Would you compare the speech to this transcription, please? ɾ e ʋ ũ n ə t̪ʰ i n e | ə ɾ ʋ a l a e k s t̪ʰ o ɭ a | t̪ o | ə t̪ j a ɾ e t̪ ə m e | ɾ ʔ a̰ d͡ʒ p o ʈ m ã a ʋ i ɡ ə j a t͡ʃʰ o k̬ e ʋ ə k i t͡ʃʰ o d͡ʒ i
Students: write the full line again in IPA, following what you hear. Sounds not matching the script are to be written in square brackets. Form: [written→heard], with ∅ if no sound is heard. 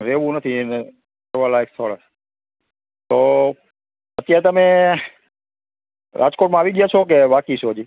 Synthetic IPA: ɾ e ʋ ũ n ə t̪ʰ i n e | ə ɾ ʋ a l a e k s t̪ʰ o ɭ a | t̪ o | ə t̪ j a ɾ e t̪ ə m e | ɾ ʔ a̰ d͡ʒ [p→k] o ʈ m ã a ʋ i ɡ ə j a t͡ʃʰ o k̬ e ʋ [ə→a] k i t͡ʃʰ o d͡ʒ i